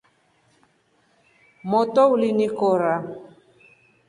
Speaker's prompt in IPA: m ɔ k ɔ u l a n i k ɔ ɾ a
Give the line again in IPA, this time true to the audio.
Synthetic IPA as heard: m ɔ t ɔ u l i n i k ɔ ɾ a